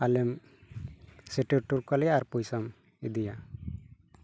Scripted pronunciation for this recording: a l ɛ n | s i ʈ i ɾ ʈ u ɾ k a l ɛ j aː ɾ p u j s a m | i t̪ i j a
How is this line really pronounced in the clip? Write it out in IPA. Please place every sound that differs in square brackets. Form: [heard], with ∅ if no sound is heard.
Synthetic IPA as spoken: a l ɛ [m] | s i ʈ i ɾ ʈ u ɾ k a l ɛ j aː ɾ p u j s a m | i [d̪] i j a